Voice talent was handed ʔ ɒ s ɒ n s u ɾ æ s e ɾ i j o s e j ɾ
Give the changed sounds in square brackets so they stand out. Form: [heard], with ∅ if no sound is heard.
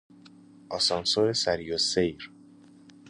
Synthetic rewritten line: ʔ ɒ s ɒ n s [o] ɾ [e] s [æ] ɾ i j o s e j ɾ